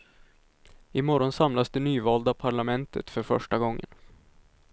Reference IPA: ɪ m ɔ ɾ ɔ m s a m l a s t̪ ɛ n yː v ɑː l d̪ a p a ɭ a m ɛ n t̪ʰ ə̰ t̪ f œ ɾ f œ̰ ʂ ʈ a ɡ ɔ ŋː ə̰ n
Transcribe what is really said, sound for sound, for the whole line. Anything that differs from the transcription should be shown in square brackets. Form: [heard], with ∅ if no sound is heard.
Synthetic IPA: ɪ m ɔ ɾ ɔ [n] s a m l a s [d̪] ɛ n yː v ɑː l d̪ a [pʰ] a ɭ a m ɛ n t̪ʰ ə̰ t̪ f œ ɾ f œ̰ ʂ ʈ a ɡ ɔ ŋː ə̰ n